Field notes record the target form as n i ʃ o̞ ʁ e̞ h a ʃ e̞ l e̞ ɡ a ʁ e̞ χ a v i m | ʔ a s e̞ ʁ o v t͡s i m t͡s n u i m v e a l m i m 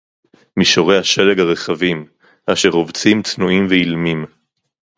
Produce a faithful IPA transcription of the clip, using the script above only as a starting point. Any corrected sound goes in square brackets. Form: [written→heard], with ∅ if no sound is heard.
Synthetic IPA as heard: [n→m] i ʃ o̞ ʁ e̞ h a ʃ e̞ l e̞ ɡ a ʁ e̞ χ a v i m | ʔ a [s→ʃ] e̞ ʁ o v t͡s i m t͡s n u i m v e [a→i] l m i m